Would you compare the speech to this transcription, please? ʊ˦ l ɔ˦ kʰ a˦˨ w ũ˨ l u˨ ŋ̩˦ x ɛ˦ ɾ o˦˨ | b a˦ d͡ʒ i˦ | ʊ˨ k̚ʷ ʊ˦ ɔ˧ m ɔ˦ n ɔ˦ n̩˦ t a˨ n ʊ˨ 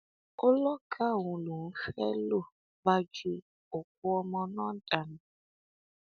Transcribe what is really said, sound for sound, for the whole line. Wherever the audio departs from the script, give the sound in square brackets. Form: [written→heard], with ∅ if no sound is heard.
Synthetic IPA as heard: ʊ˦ l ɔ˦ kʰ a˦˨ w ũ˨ l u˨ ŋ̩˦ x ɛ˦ [ɾ→l] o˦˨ | b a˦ d͡ʒ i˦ | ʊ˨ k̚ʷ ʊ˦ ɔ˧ m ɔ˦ n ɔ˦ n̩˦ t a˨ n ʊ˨

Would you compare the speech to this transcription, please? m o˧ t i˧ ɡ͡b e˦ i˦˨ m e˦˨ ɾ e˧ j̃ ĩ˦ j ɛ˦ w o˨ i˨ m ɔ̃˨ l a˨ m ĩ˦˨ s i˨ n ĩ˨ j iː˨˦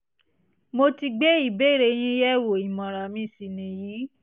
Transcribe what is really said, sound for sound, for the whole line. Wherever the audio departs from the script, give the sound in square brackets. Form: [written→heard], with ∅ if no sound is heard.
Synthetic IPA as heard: m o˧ t i˧ ɡ͡b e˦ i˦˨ [m→b] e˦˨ ɾ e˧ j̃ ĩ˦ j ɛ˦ w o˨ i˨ m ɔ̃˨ [l→ɾ] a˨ m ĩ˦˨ s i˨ n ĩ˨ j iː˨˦

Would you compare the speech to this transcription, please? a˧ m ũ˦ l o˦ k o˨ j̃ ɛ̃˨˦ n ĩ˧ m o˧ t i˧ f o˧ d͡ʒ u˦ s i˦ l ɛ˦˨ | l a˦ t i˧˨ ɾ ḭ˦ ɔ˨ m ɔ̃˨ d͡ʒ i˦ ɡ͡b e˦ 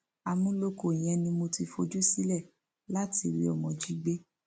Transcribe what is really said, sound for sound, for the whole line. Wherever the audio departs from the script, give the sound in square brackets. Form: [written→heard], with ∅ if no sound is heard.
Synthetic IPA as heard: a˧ m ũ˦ l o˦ k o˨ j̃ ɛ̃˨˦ n ĩ˧ m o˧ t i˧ f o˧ d͡ʒ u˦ s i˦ l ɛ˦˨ | l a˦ t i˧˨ ɾ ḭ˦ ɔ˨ m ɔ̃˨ d͡ʒ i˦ ɡ͡b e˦

